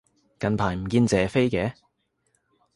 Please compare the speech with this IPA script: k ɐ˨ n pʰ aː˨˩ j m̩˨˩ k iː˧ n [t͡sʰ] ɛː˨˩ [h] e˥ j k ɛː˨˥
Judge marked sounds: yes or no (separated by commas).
no, no